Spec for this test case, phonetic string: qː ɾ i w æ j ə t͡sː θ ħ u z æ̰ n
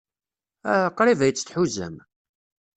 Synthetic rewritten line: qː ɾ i v æ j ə t͡sː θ ħ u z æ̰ m